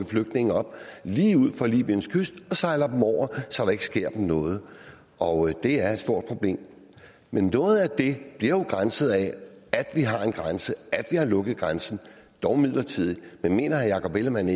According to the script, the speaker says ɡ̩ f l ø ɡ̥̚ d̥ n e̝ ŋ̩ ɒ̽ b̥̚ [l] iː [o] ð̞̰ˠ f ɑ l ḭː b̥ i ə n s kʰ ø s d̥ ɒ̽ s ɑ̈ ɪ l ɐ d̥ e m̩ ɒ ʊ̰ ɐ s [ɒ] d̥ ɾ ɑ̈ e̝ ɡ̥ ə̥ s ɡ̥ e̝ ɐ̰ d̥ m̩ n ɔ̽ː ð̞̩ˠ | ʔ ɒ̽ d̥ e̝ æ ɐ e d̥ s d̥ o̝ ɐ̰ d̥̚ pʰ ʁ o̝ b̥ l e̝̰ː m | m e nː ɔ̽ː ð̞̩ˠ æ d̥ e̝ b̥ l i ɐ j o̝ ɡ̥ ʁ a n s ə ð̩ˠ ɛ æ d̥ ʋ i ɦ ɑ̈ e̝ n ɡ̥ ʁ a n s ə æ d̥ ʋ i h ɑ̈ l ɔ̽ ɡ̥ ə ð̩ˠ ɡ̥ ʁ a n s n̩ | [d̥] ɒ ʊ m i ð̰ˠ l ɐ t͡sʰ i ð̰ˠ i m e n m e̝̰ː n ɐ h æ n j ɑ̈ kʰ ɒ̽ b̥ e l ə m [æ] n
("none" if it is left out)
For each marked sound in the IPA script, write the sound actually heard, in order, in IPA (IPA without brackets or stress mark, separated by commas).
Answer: l, u, ɒ, d̥, æ